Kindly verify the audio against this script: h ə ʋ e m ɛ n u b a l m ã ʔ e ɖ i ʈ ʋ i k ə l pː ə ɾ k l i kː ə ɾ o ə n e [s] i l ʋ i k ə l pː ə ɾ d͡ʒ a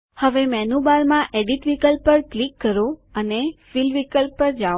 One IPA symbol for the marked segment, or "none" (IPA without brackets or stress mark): f